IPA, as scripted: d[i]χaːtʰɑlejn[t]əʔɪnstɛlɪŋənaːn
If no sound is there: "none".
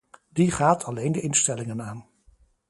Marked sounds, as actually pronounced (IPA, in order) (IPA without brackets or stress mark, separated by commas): i, d